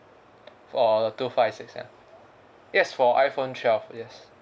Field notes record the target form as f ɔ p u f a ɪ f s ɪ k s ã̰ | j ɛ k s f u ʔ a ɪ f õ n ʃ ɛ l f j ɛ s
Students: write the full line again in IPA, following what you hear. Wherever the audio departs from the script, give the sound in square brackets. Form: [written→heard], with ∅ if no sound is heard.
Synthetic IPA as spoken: f ɔ [p→t] u f a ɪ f s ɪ k s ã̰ | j ɛ [k→∅] s f [u→ɔ] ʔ a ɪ f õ n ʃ ɛ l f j ɛ s